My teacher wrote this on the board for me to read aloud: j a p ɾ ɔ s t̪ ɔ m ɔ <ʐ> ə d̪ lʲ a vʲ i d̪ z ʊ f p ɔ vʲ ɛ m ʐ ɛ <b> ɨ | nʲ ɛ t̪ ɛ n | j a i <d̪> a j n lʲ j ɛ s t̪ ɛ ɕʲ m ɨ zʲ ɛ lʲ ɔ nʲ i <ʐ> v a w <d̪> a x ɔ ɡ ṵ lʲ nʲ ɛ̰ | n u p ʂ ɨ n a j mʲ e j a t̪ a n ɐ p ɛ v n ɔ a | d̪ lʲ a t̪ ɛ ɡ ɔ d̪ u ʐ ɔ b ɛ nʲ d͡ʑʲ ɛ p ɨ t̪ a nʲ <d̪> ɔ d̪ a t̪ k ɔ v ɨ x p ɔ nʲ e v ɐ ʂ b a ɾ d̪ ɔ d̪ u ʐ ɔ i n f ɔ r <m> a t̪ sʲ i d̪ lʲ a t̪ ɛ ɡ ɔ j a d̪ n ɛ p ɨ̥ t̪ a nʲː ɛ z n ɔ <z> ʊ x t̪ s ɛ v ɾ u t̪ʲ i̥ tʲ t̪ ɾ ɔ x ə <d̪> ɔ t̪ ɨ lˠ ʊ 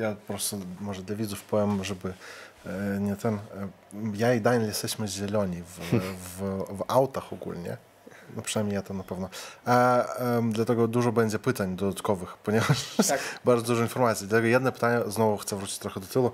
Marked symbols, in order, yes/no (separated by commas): yes, yes, yes, no, no, yes, yes, no, yes